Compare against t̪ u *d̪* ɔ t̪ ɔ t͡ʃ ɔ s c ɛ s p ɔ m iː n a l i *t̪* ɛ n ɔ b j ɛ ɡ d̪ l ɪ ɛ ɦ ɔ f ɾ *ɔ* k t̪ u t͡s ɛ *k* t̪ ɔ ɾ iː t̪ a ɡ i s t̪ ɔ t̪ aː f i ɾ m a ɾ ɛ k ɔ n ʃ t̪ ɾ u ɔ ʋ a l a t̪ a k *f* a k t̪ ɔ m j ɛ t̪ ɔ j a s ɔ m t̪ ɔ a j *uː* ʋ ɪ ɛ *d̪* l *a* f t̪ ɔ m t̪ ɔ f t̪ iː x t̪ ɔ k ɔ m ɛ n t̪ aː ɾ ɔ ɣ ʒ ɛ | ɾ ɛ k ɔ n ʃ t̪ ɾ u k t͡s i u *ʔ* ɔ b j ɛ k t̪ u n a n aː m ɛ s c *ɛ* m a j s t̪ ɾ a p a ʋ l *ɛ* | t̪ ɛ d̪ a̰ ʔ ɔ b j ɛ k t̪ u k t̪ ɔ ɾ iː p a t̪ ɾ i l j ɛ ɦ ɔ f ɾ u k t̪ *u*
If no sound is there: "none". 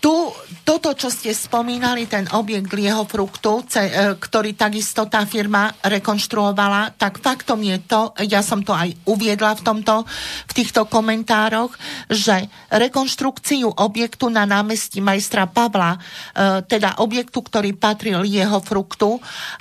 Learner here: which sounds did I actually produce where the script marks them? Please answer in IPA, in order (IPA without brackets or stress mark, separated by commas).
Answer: t̪, t̪, u, k, f, u, d̪, a, ʔ, i, a, u